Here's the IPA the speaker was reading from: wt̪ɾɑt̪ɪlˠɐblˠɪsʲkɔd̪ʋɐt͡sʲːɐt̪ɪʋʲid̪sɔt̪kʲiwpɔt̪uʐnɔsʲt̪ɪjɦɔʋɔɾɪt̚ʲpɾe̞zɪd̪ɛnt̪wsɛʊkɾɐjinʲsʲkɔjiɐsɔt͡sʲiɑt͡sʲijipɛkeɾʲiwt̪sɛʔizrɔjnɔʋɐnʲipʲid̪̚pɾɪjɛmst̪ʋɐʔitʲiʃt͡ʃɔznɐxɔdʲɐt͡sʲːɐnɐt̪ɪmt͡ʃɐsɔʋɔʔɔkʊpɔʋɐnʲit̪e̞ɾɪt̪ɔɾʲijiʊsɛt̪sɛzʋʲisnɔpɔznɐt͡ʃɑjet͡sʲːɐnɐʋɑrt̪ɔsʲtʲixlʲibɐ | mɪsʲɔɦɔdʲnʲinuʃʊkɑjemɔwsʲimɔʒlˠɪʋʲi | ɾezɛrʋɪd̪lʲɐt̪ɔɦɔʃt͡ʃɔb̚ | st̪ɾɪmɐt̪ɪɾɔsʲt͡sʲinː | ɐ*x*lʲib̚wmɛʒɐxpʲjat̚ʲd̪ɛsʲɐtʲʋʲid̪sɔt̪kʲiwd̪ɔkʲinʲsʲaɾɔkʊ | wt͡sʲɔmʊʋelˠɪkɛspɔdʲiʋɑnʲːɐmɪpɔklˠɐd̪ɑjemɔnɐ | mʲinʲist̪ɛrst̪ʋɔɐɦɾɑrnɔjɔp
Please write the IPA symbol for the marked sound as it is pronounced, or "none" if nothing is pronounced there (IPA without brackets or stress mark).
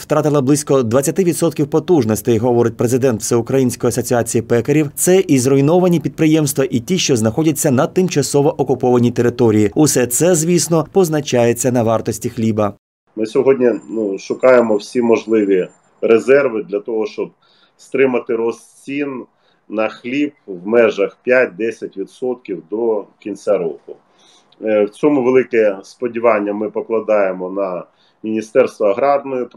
x